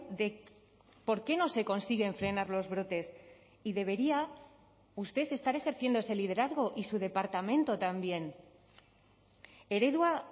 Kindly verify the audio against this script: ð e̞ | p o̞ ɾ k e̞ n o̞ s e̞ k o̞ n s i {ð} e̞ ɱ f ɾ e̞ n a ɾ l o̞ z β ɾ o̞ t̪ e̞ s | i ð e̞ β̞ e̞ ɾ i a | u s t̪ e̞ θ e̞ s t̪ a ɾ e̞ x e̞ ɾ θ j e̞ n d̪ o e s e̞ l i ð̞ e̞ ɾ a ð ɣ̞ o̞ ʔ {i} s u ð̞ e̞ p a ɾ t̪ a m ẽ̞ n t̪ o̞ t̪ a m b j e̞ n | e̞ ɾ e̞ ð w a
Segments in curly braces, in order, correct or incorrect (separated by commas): incorrect, correct